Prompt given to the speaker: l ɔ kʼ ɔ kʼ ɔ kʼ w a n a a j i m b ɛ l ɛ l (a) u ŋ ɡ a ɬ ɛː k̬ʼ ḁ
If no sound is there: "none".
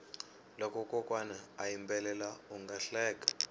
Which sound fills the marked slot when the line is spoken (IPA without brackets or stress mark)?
a